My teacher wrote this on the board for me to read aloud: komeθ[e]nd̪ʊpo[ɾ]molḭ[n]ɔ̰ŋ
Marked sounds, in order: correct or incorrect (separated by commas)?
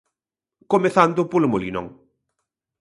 incorrect, incorrect, correct